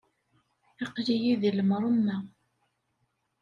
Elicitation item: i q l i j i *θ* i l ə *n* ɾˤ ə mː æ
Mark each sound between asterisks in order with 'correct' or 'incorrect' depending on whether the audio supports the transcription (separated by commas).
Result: incorrect, incorrect